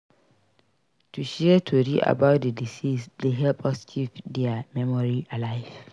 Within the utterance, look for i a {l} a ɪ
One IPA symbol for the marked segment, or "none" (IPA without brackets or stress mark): l